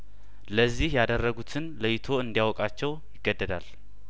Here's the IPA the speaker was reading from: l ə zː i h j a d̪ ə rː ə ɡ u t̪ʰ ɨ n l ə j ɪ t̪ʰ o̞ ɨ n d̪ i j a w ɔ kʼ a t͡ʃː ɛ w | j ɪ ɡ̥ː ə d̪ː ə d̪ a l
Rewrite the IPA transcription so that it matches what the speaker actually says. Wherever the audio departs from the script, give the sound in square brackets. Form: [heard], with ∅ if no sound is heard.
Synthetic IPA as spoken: l ə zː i h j a d̪ ə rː ə ɡ u t̪ʰ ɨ n l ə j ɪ t̪ʰ o̞ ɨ n d̪ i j a w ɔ kʼ a t͡ʃː ɛ w | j ɪ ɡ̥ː ə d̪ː ə d̪ a l